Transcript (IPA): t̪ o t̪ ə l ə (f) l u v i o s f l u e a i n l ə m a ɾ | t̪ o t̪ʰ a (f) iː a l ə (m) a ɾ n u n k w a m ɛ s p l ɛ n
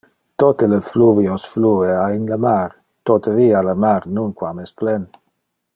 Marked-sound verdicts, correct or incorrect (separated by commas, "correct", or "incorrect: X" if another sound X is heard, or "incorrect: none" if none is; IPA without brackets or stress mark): correct, incorrect: v, correct